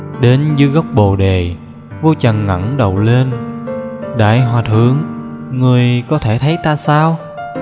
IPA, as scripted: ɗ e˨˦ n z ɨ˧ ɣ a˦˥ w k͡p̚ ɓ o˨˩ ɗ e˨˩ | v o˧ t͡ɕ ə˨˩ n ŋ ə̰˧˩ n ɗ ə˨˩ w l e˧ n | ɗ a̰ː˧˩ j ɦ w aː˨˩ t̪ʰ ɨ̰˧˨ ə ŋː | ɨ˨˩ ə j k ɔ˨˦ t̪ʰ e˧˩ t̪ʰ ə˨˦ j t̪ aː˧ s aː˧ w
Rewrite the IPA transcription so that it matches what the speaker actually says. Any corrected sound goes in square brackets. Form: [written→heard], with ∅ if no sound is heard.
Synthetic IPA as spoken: ɗ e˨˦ n z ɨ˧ ɣ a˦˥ w k͡p̚ ɓ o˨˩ ɗ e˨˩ | v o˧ t͡ɕ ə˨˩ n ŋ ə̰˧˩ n ɗ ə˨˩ w l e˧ n | ɗ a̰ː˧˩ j ɦ w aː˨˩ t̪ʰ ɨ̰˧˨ ə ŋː | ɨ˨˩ ə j k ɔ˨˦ t̪ʰ e˧˩ t̪ʰ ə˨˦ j t̪ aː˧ s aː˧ w